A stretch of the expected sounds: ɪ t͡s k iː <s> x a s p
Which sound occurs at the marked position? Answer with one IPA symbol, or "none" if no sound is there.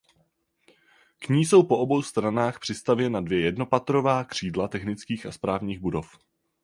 none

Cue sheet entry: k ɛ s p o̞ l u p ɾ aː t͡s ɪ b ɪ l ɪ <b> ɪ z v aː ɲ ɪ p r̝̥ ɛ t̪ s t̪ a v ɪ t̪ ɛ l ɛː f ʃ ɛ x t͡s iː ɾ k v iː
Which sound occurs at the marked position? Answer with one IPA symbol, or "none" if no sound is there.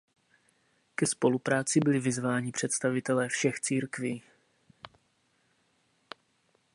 v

